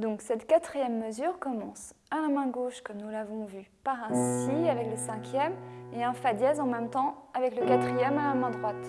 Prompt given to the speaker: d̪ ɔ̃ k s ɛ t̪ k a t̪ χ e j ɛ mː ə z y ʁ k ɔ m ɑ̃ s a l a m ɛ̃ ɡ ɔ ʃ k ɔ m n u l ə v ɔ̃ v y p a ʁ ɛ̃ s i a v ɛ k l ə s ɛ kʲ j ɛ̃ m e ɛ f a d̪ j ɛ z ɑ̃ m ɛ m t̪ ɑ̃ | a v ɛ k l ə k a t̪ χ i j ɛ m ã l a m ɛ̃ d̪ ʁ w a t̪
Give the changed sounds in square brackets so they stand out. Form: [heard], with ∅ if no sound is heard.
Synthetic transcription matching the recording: d̪ ɔ̃ k s ɛ t̪ k a t̪ χ [i] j ɛ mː ə z y ʁ k ɔ m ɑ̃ s a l a m ɛ̃ ɡ [o] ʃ k ɔ m n u l [a] v ɔ̃ v y p a ʁ ɛ̃ s i a v ɛ k l ə s [ɛ̃] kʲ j [ɛ] m e [ɛ̃] f a d̪ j ɛ z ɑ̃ m ɛ m t̪ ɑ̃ | a v ɛ k l ə k a t̪ χ i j ɛ m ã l a m ɛ̃ d̪ ʁ w a t̪